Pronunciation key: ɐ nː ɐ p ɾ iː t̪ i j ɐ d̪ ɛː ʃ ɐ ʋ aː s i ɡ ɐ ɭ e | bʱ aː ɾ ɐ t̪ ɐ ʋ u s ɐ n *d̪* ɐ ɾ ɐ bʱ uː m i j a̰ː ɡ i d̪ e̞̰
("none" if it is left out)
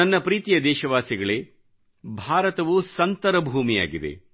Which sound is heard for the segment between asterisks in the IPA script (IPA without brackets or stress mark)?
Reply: t̪